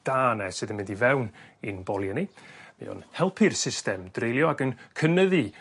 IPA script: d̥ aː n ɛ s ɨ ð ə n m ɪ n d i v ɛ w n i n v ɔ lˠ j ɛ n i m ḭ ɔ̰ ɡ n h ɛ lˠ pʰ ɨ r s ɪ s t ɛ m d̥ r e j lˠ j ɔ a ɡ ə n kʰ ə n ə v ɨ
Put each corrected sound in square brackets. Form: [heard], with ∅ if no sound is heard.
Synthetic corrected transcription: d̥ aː n ɛ s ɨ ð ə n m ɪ n d i v ɛ w n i n [b] ɔ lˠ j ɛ n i m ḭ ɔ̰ [∅] n h ɛ lˠ pʰ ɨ r s ɪ s t ɛ m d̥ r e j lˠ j ɔ a ɡ ə n kʰ ə n ə [ð] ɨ